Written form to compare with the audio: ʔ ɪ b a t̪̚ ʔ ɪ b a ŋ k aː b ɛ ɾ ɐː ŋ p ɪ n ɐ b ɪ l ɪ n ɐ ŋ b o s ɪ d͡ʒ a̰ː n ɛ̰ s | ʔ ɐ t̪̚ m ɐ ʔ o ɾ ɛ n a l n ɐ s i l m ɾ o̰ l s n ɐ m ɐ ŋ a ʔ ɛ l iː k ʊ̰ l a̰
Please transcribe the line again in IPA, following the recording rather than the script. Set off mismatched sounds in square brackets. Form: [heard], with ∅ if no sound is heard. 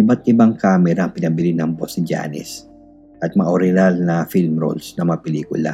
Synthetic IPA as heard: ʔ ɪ b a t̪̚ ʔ ɪ b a ŋ k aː [m] ɛ ɾ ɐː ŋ p ɪ n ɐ b ɪ l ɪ n ɐ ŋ b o s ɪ d͡ʒ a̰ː n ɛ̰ s | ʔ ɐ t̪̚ m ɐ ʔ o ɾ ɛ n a l n ɐ [f] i l m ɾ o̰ l s n ɐ m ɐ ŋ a [p] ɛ l iː k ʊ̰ l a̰